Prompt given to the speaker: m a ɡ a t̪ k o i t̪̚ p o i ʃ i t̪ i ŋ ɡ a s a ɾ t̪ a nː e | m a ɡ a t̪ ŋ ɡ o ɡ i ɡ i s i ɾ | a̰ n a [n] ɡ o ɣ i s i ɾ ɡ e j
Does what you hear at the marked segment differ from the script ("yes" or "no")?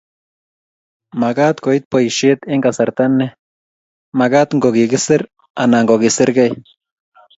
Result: yes